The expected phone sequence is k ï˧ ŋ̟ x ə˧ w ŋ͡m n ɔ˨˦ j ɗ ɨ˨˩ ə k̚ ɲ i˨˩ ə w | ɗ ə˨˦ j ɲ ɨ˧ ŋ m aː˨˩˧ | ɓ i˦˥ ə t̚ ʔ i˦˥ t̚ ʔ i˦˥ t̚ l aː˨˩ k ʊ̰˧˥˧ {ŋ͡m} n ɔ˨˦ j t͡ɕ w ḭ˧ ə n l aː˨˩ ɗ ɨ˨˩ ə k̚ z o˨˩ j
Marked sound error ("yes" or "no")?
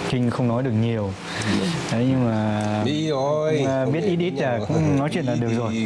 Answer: no